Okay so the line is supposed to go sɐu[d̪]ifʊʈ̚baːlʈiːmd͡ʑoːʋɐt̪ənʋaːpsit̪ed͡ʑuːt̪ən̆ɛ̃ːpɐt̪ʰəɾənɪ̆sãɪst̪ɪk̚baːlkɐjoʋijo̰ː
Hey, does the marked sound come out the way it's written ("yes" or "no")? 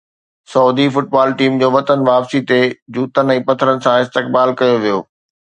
yes